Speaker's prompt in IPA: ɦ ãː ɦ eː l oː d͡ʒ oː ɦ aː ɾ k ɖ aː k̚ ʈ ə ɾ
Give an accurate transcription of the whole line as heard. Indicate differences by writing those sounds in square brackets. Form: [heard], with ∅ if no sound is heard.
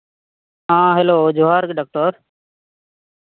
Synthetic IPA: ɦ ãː ɦ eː l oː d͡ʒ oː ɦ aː ɾ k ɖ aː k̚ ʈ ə ɾ